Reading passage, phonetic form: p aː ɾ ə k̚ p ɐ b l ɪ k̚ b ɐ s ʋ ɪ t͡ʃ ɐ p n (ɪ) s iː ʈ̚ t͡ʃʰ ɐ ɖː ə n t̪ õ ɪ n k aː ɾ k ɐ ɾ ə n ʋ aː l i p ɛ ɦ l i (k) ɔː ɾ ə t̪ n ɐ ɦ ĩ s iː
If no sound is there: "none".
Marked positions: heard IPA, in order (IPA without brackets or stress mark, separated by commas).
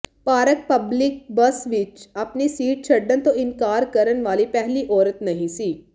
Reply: i, ʔ